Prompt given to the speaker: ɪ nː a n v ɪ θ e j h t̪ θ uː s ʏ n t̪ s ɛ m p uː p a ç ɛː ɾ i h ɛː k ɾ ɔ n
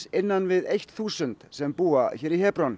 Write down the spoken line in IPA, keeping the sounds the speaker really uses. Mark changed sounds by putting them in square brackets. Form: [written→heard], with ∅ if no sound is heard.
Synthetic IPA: ɪ nː a n v ɪ [θ→ð] e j h t̪ θ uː s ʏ n t̪ s ɛ m p uː [p→∅] a ç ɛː ɾ i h ɛː [k→p] ɾ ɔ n